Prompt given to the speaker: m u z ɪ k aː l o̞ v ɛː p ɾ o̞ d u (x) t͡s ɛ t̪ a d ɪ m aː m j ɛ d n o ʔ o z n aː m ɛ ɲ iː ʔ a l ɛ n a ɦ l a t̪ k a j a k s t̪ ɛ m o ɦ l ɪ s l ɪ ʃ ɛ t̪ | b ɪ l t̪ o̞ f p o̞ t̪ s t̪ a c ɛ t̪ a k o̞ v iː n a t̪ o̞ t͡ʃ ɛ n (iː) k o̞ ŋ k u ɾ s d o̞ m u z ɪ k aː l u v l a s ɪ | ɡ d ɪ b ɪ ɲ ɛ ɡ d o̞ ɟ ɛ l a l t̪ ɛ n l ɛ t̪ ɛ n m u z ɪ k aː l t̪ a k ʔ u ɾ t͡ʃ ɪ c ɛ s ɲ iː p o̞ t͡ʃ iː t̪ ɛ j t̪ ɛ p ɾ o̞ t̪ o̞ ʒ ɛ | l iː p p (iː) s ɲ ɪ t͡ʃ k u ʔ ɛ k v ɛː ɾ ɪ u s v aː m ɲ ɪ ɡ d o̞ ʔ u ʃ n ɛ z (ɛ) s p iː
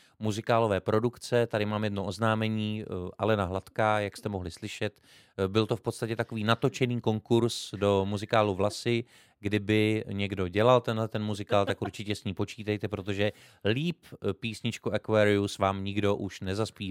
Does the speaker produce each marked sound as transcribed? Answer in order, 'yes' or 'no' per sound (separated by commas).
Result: no, yes, yes, no